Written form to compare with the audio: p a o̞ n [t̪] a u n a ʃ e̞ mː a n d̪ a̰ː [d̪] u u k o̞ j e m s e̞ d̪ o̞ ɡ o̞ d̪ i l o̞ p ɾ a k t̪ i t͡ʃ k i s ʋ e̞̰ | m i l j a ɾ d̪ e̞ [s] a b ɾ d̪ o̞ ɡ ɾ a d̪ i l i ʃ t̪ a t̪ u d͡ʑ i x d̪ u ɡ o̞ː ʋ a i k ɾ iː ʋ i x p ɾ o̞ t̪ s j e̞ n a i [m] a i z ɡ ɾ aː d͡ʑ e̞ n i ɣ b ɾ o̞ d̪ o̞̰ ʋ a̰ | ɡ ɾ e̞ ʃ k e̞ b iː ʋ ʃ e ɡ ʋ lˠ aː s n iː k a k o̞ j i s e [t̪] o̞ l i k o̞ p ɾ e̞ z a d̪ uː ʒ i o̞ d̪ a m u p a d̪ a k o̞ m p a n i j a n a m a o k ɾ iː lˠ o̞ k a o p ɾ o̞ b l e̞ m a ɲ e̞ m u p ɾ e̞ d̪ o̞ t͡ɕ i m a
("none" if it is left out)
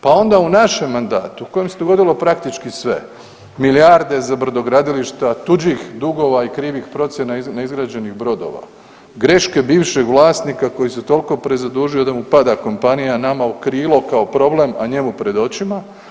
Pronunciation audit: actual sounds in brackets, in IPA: d̪, t̪, z, n, t̪

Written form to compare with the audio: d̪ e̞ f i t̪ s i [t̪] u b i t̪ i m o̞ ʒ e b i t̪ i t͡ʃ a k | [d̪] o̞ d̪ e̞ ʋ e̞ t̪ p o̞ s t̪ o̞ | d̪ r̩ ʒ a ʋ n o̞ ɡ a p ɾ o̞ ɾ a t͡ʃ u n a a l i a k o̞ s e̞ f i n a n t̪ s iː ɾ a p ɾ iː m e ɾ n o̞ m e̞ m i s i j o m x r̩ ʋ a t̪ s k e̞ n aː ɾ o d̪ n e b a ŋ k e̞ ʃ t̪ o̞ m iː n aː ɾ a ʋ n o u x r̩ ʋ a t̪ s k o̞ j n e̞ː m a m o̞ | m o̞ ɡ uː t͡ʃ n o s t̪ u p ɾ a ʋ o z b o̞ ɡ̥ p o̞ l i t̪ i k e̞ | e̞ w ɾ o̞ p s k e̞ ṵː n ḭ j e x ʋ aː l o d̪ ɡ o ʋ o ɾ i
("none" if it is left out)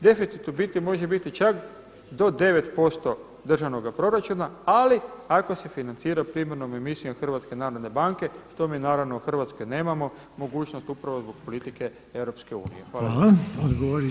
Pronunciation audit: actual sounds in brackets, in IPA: t̪, d̪

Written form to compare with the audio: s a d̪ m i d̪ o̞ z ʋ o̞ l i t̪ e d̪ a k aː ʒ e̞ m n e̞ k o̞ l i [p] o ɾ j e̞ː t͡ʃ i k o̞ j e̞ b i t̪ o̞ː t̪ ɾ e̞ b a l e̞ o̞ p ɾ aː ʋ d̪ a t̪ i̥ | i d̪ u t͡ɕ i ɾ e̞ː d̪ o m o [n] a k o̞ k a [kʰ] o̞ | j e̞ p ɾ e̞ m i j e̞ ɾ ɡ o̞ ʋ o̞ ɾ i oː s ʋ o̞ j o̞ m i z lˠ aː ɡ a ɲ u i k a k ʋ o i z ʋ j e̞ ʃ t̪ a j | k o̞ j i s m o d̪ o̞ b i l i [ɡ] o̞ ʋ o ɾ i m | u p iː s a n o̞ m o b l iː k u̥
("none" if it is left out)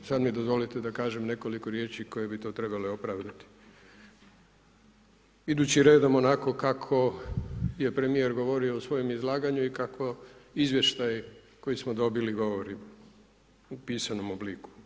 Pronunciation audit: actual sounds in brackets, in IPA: k, n, kʰ, ɡ

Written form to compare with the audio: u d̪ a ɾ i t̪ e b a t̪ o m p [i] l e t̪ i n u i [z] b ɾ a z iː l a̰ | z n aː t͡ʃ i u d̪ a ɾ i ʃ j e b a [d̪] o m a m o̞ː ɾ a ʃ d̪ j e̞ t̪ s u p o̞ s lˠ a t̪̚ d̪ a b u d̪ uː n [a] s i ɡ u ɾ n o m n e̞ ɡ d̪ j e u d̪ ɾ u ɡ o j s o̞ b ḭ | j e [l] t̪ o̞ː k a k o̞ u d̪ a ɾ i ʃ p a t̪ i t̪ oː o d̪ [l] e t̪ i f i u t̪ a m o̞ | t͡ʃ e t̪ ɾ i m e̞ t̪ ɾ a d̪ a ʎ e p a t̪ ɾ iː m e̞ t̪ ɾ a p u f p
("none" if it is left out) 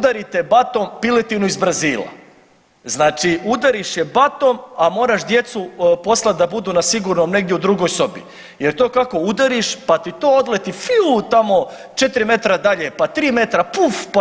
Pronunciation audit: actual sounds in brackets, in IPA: i, z, t̪, a, ɾ, l

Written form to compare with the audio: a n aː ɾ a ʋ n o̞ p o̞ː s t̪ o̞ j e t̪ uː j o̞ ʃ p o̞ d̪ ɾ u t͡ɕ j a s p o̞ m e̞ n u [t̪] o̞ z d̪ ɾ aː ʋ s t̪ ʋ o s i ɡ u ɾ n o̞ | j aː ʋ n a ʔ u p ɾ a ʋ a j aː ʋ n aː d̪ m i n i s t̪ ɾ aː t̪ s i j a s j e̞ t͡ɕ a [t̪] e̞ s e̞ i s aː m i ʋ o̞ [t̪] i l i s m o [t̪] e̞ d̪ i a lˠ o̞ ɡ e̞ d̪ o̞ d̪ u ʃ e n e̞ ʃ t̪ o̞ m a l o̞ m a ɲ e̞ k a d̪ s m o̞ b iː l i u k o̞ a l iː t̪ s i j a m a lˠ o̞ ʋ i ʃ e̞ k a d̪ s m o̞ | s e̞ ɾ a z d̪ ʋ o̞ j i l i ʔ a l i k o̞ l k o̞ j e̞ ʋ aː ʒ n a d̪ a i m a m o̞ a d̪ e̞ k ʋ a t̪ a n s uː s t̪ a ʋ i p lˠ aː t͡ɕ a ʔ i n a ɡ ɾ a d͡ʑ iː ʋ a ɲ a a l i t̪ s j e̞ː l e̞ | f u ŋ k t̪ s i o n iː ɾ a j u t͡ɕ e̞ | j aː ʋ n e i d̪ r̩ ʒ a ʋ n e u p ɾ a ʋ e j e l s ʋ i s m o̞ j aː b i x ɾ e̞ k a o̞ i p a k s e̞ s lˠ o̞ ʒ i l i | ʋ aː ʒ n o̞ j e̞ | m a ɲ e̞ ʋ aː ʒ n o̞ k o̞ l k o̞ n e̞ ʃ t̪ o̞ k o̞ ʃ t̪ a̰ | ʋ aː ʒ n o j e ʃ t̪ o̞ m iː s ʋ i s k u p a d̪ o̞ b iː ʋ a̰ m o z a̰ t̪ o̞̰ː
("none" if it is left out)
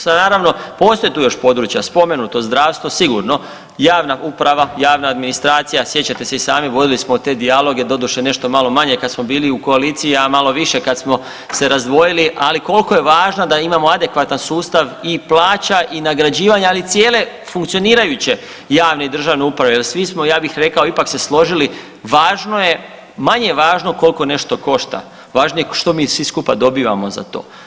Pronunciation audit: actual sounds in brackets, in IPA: t̪, t̪, d̪, t̪

